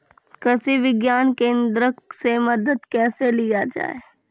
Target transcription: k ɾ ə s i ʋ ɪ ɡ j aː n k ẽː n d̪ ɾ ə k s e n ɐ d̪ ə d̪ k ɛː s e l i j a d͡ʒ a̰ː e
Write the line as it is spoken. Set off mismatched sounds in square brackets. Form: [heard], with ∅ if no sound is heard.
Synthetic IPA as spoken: k ɾ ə s i ʋ ɪ ɡ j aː n k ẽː n d̪ ɾ ə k s e [m] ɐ d̪ ə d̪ k ɛː s e l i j a d͡ʒ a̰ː e